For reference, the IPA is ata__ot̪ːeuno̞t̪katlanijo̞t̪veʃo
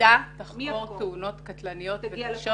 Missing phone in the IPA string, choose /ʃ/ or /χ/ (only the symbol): χ